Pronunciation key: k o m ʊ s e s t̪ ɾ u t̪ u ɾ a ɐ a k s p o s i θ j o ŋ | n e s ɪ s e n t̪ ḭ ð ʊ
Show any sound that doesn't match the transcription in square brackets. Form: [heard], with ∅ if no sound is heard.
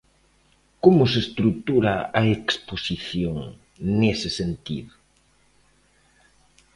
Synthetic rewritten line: k o m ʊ s e s t̪ ɾ u t̪ u ɾ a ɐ [e] k s p o s i θ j o ŋ | n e s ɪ s e n t̪ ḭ ð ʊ

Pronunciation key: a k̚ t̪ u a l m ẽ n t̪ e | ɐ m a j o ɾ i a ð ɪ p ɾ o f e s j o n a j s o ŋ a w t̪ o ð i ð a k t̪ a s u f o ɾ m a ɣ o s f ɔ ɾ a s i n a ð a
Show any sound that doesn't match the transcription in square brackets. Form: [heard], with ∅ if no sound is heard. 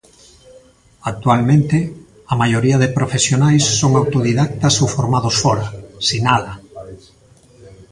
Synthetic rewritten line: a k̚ t̪ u a l m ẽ n t̪ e | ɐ m a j o ɾ i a ð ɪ p ɾ o f e s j o n a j [sː] o ŋ a w t̪ o ð i ð a k t̪ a s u f o ɾ m a [ð] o s f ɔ ɾ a s i n a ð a

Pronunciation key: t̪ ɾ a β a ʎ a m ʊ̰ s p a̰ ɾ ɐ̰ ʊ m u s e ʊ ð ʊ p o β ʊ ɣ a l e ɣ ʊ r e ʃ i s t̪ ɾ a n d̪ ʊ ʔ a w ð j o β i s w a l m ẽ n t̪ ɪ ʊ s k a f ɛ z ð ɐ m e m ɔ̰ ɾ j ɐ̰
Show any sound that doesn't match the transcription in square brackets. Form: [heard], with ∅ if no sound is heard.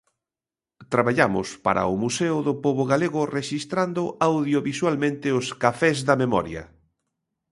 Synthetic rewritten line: t̪ ɾ a β a ʎ a m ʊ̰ s p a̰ ɾ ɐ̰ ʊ m u s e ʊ ð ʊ p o β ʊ ɣ a l e ɣ ʊ r e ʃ i s t̪ ɾ a n d̪ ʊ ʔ a w ð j o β i s w a l m ẽ n t̪ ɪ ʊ s k a f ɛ z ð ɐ m e m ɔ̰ ɾ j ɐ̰

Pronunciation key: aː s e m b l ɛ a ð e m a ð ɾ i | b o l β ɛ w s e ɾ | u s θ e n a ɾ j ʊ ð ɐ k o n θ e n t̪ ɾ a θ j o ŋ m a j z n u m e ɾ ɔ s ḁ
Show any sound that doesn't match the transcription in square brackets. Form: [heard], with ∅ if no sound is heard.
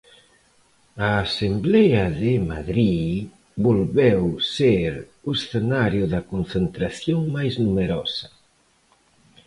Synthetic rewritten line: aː s e m b l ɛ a ð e m a ð ɾ i | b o l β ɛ w s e ɾ | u s θ e n a ɾ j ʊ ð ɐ k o n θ e n t̪ ɾ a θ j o ŋ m a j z n u m e ɾ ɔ s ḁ

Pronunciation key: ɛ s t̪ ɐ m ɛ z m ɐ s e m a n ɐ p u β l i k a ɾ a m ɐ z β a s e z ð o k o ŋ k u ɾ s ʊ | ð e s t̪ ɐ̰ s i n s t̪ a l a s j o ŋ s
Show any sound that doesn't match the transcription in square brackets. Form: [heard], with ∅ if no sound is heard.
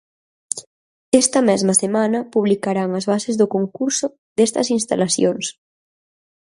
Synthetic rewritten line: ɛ s t̪ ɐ m ɛ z m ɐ s e m a n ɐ p u β l i k a ɾ a [ŋ] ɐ z β a s e z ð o k o ŋ k u ɾ s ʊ | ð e s t̪ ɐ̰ s i n s t̪ a l a s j o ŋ s

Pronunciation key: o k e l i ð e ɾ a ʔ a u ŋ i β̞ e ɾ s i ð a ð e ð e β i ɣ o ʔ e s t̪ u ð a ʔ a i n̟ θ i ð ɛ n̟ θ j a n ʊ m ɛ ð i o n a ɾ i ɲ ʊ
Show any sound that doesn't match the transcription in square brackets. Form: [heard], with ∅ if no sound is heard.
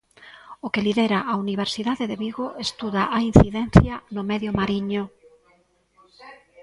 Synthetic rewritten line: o k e l i ð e ɾ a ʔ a u [n] i β̞ e ɾ s i ð a ð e ð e β i ɣ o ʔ e s t̪ u ð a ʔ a i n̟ θ i ð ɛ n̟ θ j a n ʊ m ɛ ð [j] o [m] a ɾ i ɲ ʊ

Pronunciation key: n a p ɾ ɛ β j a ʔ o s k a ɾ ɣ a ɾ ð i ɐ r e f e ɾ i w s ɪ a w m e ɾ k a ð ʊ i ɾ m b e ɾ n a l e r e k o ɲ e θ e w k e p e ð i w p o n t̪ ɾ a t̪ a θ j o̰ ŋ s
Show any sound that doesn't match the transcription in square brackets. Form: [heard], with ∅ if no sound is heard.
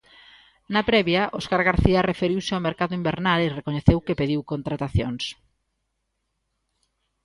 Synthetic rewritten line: n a p ɾ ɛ β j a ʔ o s k a ɾ ɣ a ɾ [θ] i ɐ r e f e ɾ i w s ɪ a w m e ɾ k a ð ʊ i [∅] m b e ɾ n a l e r e k o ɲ e θ e w k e p e ð i w [k] o n t̪ ɾ a t̪ a θ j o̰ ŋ s

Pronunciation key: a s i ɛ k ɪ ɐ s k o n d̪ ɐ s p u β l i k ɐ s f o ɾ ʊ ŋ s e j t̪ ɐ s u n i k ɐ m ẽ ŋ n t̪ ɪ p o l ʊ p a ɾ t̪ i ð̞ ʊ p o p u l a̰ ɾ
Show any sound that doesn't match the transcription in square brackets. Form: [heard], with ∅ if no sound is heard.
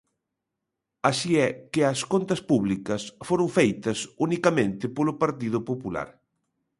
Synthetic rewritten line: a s i ɛ k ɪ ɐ s k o n [t̪] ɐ s p u β l i k ɐ s f o ɾ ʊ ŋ [f] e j t̪ ɐ s u n i k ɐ m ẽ [∅] n t̪ ɪ p o l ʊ p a ɾ t̪ i ð̞ ʊ p o p u l a̰ ɾ

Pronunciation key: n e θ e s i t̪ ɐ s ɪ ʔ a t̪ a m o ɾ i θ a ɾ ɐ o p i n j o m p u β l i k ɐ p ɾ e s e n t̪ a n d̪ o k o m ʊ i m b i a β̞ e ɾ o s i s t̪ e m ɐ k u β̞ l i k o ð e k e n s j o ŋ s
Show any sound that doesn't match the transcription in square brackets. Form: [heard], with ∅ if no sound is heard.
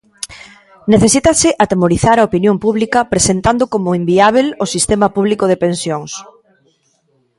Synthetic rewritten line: n e θ e s i t̪ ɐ s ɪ ʔ a t̪ [e] m o ɾ i θ a ɾ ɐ o p i n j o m p u β l i k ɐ p ɾ e s e n t̪ a n d̪ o k o m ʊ i m b i a β̞ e [l] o s i s t̪ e m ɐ [p] u β̞ l i k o ð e [p] e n s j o ŋ s

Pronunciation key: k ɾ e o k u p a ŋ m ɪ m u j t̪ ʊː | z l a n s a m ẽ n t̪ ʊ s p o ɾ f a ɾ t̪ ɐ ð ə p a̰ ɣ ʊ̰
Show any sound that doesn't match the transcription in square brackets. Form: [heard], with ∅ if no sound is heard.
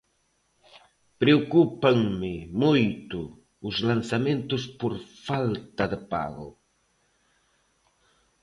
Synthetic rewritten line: [p] ɾ e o k u p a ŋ m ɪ m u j t̪ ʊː | z l a n s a m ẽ n t̪ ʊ s p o ɾ f a [l] t̪ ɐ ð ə p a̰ ɣ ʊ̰

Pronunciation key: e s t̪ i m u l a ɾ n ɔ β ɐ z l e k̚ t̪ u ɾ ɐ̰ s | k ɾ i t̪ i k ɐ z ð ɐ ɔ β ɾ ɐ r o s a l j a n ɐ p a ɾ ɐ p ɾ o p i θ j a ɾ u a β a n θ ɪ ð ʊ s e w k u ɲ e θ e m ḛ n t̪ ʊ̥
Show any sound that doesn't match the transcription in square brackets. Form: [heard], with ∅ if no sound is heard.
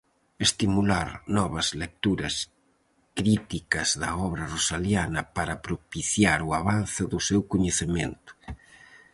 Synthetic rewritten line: e s t̪ i m u l a ɾ n ɔ β ɐ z l e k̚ t̪ u ɾ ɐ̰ s | k ɾ i t̪ i k ɐ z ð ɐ ɔ β ɾ ɐ r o s a l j a n ɐ p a ɾ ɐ p ɾ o p i θ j a ɾ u a β a n θ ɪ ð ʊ s e w k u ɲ e θ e m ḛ n t̪ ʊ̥

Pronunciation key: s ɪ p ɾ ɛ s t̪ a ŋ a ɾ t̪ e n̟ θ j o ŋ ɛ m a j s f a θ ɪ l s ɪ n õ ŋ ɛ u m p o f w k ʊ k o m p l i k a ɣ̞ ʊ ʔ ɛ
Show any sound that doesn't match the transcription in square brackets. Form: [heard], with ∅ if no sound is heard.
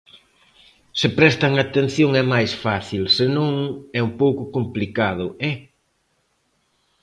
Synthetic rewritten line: s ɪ p ɾ ɛ s t̪ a ŋ a [∅] t̪ e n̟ θ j o ŋ ɛ m a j s f a θ [i] l s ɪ n õ ŋ ɛ u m p o [∅] w k ʊ k o m p l i k a [ð̞] ʊ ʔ ɛ

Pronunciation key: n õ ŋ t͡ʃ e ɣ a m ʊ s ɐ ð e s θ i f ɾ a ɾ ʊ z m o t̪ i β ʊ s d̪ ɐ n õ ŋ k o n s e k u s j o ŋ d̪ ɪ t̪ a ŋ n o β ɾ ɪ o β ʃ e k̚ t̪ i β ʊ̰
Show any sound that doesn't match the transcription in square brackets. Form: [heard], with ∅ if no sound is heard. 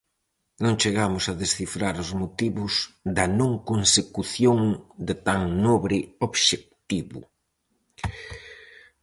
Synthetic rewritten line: n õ ŋ t͡ʃ e ɣ a m ʊ s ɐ ð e s θ i f ɾ a ɾ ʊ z m o t̪ i β ʊ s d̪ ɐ n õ ŋ k o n s e k u [θ] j o ŋ d̪ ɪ t̪ a ŋ n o β ɾ ɪ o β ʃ e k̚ t̪ i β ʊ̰

